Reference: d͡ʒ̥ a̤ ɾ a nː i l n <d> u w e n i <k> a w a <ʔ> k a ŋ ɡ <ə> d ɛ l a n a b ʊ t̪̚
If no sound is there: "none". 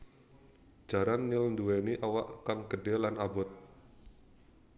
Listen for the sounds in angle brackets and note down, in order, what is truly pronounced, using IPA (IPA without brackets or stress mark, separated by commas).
d, ʔ, ʔ, ə